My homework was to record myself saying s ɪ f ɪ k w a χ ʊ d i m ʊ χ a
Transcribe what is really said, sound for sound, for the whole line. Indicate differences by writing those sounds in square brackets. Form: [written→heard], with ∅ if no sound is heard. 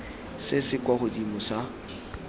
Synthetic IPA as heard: s ɪ [f→s] ɪ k w a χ ʊ d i m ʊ [χ→s] a